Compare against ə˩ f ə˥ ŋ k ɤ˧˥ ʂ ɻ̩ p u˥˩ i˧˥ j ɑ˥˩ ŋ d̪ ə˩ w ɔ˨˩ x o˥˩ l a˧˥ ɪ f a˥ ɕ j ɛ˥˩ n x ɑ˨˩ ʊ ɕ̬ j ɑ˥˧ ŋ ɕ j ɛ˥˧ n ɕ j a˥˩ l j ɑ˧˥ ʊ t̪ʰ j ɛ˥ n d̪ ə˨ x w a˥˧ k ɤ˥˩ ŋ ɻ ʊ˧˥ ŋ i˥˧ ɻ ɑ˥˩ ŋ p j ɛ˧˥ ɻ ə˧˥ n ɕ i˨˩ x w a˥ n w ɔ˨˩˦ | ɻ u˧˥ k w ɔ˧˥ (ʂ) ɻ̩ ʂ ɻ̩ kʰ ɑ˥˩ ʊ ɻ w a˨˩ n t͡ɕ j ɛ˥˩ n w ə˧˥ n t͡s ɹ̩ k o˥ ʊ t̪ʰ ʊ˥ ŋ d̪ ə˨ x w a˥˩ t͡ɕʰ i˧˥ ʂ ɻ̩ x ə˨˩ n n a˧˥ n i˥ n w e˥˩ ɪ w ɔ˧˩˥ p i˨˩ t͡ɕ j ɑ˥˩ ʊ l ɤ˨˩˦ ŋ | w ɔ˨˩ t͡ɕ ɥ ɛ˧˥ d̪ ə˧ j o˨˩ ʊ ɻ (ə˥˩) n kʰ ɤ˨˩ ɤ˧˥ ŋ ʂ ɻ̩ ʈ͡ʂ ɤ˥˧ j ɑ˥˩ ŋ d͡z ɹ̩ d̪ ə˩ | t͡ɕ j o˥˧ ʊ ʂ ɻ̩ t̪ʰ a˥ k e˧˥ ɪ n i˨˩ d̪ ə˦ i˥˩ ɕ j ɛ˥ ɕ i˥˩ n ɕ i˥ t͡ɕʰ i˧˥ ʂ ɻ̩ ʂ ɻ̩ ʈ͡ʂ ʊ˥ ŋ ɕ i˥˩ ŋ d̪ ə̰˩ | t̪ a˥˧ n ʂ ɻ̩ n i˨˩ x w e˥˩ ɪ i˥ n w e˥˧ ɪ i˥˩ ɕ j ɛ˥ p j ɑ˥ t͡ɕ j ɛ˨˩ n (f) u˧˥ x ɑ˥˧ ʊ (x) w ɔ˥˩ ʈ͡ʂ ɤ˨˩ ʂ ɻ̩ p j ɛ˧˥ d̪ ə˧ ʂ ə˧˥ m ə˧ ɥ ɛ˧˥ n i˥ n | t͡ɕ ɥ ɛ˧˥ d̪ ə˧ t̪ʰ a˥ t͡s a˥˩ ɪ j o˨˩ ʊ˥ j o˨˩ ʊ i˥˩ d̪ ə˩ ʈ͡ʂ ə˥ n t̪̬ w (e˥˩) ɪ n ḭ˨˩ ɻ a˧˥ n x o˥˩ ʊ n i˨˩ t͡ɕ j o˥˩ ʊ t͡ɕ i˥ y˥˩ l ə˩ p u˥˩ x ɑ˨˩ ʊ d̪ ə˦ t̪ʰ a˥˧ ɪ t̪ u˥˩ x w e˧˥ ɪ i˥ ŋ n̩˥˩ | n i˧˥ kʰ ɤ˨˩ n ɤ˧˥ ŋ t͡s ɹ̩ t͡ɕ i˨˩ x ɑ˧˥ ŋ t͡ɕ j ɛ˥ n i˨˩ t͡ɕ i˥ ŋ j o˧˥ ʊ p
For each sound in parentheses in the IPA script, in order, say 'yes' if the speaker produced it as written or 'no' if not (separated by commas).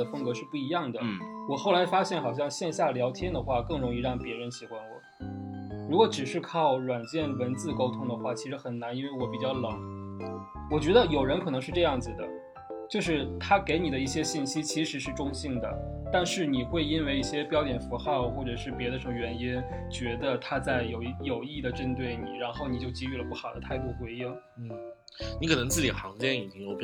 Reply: no, no, yes, yes, yes